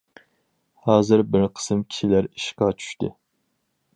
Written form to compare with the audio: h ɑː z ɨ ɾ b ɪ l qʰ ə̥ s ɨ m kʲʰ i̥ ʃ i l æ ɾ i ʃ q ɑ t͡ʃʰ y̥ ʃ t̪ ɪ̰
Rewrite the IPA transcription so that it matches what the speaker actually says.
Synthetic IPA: h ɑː z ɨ ɾ b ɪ ɾ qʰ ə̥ s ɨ m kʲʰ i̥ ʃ i l æ ɾ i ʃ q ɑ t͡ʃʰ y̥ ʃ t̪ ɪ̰

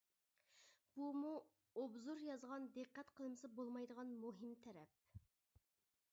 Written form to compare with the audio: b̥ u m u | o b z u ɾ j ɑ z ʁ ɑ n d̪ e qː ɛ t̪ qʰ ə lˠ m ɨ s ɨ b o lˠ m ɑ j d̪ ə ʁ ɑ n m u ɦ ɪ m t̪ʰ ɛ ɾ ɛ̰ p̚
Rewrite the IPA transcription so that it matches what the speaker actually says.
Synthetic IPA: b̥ u m u | o b z u ɾ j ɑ z ʁ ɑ n d̪ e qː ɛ t̪ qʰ ə lˠ m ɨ s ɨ b o lˠ m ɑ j d̪ ə ʁ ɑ n m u ɦ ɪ m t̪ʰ ɛ ɾ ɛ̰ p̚

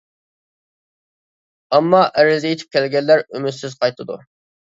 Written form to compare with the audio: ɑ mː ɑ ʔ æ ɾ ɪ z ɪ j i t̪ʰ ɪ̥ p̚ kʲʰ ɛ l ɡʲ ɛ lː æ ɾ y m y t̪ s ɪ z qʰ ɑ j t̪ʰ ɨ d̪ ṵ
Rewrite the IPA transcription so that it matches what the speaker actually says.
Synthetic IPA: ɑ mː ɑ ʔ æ ɾ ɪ z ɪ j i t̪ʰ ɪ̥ p̚ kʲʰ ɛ l ɡʲ ɛ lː æ ɾ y m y t̪ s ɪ z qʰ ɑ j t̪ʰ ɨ d̪ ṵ

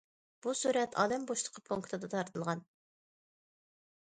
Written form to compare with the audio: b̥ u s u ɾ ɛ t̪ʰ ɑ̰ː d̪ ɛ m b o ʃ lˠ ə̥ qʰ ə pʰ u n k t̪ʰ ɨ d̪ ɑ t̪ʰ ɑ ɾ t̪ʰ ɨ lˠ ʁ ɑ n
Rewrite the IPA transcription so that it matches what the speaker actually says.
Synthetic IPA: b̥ u s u ɾ ɛ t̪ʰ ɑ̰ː d̪ ɛ m b o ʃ lˠ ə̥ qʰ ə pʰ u ŋ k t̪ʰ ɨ d̪ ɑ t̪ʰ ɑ ɾ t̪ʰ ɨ lˠ ʁ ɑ n

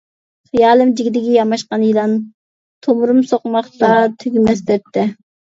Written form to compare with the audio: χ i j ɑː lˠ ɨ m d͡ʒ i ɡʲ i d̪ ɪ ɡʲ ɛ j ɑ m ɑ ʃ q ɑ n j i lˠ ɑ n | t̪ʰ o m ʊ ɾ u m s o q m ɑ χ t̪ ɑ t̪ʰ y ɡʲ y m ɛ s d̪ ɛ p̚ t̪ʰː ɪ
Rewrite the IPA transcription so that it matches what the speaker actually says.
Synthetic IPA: χ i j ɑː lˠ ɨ m d͡ʒ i ɡʲ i d̪ ɪ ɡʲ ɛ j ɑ m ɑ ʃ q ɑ n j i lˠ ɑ n | t̪ʰ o m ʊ ɾ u m s o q m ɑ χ t̪ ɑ t̪ʰ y ɡʲ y m ɛ s d̪ ɛ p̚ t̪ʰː ɪ

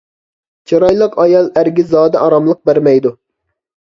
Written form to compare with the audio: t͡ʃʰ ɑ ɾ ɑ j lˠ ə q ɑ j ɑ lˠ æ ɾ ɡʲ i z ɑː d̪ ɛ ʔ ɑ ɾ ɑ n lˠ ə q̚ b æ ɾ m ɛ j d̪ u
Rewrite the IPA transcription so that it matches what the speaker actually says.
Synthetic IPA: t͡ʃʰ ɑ ɾ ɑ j lˠ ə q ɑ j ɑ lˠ æ ɾ ɡʲ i z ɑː d̪ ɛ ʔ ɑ ɾ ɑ m lˠ ə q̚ b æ ɾ m ɛ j d̪ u

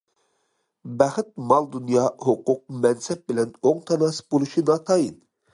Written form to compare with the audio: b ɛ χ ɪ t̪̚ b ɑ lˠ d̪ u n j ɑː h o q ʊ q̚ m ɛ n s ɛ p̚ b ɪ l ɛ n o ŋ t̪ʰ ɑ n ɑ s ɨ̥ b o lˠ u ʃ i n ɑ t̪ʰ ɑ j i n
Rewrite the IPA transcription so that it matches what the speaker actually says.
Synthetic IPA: b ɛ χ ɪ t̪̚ m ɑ lˠ d̪ u n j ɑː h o q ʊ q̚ m ɛ n s ɛ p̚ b ɪ l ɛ n o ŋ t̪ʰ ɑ n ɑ s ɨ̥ b o lˠ u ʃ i n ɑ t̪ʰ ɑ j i n

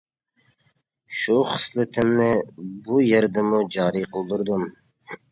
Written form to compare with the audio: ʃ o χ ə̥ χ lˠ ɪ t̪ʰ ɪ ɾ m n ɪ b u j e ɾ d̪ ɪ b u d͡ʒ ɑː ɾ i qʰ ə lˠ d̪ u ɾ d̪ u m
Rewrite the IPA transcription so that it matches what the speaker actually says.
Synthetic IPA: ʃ u χ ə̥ s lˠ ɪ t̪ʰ ɪ m n ɪ b u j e ɾ d̪ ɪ m u d͡ʒ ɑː ɾ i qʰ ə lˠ d̪ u ɾ d̪ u m

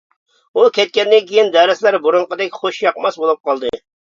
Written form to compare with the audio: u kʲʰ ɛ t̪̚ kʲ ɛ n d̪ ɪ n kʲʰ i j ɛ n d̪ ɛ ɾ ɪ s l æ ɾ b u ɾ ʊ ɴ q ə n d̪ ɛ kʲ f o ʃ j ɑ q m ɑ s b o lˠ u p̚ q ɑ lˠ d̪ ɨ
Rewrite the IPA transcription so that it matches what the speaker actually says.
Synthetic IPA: u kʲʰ ɛ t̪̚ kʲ ɛ n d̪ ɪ n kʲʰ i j i n d̪ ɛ ɾ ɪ s l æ ɾ b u ɾ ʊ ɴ q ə d̪ ɛ kʲ χ o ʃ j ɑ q m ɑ s b o lˠ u p̚ q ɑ lˠ d̪ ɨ

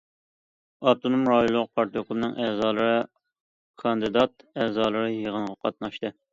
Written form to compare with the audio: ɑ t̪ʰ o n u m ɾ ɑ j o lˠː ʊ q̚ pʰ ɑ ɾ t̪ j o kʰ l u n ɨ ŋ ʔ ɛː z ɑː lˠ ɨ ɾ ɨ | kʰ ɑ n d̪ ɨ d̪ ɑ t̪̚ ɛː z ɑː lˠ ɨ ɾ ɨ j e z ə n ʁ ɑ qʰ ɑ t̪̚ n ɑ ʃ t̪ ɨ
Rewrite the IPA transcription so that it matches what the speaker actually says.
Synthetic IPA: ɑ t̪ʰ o n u m ɾ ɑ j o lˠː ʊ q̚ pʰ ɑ ɾ t̪ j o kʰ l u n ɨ ŋ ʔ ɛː z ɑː lˠ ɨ ɾ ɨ | kʰ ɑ n d̪ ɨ d̪ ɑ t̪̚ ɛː z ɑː lˠ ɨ ɾ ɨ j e ʁ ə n ʁ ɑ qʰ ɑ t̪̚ n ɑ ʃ t̪ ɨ

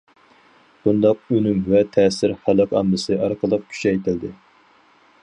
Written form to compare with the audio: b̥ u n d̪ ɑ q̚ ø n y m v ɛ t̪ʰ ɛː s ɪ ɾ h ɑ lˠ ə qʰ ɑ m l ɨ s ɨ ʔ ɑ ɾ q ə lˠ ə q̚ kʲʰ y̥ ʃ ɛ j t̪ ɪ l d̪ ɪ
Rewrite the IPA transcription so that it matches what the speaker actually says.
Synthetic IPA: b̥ u n d̪ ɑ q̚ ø n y m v ɛ t̪ʰ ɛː s ɪ ɾ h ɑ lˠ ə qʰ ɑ m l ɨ s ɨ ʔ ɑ ɾ q ə lˠ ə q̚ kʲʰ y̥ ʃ ɛ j t̪ ɪ l d̪ ɪ

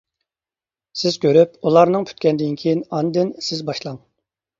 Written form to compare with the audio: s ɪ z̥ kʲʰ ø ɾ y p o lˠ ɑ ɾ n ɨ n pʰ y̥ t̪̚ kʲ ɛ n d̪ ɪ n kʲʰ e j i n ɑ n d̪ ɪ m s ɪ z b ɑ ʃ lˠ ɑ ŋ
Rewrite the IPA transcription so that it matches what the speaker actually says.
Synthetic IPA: s ɪ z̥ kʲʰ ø ɾ y p u lˠ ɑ ɾ n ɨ ŋ pʰ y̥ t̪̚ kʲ ɛ n d̪ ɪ n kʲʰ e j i n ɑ n d̪ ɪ n s ɪ z b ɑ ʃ lˠ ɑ ŋ

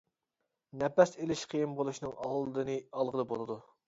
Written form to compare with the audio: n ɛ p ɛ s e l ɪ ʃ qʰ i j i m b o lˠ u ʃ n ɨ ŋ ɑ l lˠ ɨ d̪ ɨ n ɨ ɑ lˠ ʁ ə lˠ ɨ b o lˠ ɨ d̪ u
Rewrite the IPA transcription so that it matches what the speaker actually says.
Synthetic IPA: n ɛ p ɛ s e l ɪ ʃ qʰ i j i m b o lˠ u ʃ n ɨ ŋ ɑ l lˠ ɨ d̪ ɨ n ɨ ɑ lˠ ʁ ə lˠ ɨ b o lˠ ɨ d̪ u

